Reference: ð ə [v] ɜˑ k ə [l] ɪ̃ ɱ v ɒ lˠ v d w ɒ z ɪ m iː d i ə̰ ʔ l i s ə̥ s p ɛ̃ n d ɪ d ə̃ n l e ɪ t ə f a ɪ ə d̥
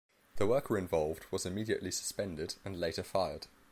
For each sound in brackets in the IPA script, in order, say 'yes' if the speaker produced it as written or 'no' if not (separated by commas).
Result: no, no